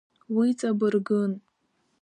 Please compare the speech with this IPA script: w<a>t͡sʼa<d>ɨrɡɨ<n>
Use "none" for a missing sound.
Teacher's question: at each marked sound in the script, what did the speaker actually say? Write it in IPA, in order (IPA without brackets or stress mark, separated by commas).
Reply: i, b, n